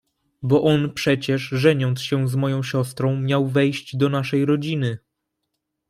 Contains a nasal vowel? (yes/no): yes